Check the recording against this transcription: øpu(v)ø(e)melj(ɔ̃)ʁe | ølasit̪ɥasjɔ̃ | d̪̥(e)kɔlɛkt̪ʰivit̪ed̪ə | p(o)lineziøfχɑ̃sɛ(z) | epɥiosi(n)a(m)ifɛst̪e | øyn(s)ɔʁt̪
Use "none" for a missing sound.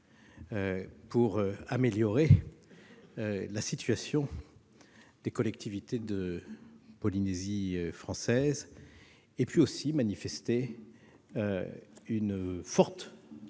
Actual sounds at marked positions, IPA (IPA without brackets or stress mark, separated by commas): ʁ, a, ɔ, e, ɔ, z, m, n, f